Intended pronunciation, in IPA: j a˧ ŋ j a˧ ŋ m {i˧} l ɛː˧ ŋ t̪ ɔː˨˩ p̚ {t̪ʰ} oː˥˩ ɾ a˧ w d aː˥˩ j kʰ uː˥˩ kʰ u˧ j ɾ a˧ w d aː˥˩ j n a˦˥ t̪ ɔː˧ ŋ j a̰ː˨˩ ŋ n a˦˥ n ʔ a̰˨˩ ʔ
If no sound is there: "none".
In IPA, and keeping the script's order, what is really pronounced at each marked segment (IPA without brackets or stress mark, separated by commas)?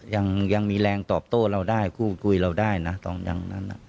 iː˧, t̪